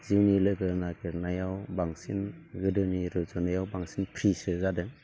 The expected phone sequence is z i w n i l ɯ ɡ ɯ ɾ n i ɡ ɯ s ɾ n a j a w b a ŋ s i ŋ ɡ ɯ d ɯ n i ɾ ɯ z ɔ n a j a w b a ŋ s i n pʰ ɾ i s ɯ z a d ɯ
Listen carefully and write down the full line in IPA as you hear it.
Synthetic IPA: z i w n i l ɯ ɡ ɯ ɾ n a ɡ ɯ ɾ n a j a w b a ŋ s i n ɡ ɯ d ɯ n i ɾ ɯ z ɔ n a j a w b a ŋ s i n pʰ ɾ i s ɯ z a d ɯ